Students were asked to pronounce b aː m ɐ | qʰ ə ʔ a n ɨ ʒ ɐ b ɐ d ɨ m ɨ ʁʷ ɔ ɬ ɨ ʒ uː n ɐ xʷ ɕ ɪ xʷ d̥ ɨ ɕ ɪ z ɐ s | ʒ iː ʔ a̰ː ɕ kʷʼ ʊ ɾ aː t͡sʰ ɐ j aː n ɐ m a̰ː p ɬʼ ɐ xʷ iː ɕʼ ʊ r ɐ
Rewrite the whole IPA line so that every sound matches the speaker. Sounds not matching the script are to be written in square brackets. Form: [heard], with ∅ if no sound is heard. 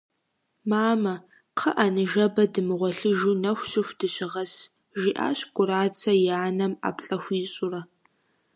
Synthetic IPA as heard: [m] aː m ɐ | qʰ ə ʔ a n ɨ ʒ ɐ b ɐ d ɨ m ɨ ʁʷ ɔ ɬ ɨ ʒ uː n ɐ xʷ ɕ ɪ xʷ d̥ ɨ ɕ ɪ [ʁ] ɐ s | ʒ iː ʔ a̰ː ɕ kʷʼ ʊ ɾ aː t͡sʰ ɐ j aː n ɐ m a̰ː p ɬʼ ɐ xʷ iː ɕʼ ʊ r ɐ